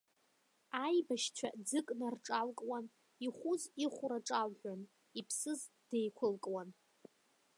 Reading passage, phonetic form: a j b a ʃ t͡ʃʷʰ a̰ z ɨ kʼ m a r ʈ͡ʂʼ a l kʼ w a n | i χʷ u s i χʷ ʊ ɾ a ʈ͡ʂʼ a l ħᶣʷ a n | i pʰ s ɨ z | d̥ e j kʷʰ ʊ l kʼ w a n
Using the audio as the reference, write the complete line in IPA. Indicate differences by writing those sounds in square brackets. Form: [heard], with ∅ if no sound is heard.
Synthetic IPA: a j b a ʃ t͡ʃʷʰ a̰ [d͡z] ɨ kʼ [n] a r ʈ͡ʂʼ a l kʼ w a n | i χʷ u [z] i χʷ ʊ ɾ a ʈ͡ʂʼ a l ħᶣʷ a n | i pʰ s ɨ z | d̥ e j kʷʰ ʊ l kʼ w a n